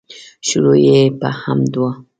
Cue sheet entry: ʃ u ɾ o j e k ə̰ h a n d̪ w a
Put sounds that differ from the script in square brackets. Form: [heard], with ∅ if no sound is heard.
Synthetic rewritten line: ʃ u ɾ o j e [p] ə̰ h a [m] d̪ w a